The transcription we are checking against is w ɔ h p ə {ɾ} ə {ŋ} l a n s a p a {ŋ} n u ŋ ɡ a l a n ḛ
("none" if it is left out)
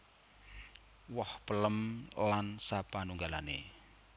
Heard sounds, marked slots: l, m, none

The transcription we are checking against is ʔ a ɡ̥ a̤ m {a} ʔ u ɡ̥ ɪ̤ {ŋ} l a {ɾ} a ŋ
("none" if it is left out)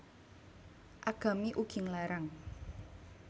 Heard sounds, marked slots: i, ŋ, ɾ

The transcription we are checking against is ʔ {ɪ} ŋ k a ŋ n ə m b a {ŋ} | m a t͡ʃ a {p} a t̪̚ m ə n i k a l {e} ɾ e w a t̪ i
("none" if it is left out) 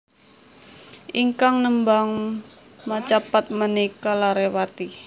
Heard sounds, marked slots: i, ŋ, p, a

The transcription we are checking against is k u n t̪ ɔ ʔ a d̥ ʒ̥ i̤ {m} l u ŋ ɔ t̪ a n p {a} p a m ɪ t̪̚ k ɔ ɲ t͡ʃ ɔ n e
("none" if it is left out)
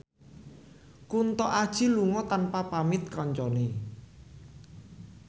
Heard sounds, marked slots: none, a

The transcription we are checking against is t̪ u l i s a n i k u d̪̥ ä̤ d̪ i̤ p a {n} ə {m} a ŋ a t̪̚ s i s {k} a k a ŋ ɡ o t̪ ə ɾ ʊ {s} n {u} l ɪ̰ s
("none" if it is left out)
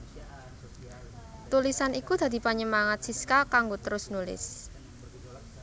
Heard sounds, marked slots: ɲ, m, k, s, u

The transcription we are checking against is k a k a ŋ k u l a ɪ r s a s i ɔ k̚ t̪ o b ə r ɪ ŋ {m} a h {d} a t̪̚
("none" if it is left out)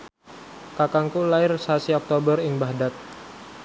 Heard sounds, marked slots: b, d

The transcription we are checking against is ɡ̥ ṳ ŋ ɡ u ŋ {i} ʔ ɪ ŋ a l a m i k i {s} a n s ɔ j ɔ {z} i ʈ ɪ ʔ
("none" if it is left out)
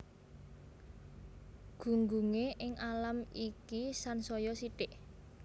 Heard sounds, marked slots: e, s, s

